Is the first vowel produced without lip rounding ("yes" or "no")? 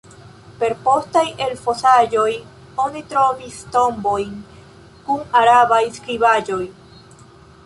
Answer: yes